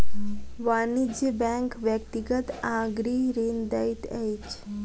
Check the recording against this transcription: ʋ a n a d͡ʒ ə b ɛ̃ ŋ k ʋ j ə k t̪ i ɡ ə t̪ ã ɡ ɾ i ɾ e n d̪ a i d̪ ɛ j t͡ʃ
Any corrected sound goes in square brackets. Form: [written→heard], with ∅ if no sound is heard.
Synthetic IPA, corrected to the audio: ʋ a n [a→i] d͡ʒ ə b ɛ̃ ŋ k ʋ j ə k t̪ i ɡ ə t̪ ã ɡ ɾ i ɾ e n d̪ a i [d̪→t̪] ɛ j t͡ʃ